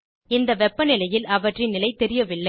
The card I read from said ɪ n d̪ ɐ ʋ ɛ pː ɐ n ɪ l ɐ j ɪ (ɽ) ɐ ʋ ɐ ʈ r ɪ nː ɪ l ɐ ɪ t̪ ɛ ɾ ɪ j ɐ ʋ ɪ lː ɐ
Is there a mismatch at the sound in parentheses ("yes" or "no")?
yes